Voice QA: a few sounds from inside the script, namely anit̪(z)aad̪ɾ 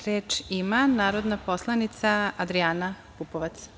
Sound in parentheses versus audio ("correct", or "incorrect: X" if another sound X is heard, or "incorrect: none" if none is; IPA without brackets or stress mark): incorrect: s